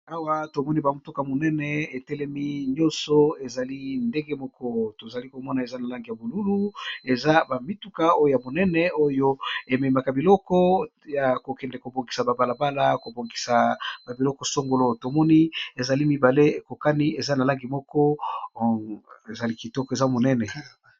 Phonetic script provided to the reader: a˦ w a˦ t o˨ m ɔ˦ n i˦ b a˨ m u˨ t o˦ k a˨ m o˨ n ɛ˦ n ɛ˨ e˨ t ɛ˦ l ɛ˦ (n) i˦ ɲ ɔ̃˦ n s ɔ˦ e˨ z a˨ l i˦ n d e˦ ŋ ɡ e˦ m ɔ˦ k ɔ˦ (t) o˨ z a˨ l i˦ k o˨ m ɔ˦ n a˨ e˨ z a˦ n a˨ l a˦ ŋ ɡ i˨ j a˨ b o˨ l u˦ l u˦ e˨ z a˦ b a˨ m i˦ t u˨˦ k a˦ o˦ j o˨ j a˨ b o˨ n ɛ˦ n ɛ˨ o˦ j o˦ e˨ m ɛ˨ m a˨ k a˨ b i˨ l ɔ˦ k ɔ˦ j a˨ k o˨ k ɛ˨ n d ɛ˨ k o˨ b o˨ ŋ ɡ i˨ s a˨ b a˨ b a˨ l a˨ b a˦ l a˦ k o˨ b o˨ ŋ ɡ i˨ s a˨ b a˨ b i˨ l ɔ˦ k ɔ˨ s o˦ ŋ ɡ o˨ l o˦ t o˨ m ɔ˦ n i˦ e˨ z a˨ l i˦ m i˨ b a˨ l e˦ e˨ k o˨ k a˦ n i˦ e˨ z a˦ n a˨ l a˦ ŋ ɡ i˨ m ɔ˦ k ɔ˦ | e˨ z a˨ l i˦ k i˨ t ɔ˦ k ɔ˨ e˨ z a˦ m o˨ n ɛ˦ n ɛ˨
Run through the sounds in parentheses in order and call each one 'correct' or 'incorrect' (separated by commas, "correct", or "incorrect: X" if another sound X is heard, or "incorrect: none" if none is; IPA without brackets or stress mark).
incorrect: m, correct